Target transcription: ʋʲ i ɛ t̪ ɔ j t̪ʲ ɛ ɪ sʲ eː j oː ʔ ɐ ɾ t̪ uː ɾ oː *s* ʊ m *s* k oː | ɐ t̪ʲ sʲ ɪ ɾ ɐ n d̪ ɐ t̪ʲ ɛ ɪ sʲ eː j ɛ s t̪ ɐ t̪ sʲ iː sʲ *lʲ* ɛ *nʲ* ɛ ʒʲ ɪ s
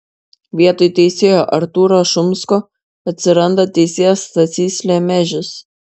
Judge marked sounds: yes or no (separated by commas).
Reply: no, yes, yes, no